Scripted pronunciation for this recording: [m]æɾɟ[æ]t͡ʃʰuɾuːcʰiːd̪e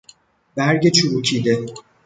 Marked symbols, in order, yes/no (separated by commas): no, no